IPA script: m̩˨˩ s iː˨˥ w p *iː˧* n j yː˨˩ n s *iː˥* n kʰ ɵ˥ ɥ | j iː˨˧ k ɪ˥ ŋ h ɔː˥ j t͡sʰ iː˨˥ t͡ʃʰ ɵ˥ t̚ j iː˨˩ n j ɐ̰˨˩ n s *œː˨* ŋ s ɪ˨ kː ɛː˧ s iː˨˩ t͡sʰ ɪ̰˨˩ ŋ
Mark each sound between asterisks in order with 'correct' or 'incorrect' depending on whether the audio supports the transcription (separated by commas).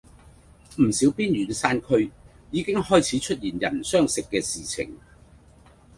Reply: incorrect, incorrect, incorrect